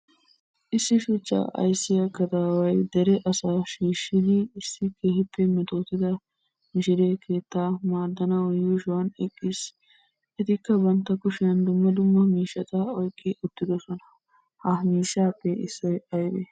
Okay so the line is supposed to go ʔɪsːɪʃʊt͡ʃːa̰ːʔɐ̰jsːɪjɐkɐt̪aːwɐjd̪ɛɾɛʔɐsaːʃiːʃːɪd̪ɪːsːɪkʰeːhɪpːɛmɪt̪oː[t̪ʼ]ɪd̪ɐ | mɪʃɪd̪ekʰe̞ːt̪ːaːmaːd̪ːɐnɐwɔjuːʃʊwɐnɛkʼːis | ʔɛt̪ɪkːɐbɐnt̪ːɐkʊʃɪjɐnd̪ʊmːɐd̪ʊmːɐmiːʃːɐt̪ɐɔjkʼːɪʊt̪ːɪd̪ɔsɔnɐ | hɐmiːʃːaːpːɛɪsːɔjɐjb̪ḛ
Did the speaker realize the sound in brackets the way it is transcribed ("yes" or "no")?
no